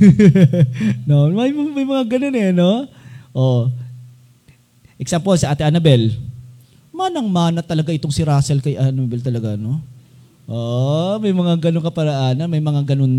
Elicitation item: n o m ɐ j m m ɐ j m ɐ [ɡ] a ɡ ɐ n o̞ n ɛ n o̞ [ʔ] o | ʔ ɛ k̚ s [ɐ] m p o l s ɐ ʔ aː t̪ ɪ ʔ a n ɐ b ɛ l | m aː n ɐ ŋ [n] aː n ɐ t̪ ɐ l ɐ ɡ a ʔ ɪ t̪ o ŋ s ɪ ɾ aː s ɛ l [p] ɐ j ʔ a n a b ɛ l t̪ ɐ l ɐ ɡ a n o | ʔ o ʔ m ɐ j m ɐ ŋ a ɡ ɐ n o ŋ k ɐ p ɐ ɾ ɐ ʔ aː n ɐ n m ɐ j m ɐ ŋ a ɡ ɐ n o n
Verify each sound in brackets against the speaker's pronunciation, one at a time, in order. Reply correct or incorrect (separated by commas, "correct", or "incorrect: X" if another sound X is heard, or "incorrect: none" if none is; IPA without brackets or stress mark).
incorrect: ŋ, correct, incorrect: a, incorrect: m, incorrect: k